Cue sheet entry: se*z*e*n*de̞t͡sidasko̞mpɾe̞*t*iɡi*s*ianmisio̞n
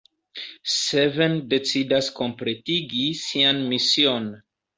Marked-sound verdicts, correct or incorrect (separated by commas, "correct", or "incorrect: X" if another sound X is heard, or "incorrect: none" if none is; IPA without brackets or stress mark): incorrect: v, correct, correct, correct